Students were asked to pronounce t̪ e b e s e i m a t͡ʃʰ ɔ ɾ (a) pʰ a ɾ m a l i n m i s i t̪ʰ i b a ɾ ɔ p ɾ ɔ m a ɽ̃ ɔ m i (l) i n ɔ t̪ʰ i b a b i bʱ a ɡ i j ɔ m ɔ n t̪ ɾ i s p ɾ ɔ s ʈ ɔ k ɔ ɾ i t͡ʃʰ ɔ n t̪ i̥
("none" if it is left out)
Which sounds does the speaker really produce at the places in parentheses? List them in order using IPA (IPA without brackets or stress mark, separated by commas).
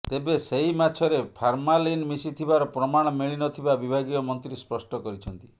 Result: e, ɭ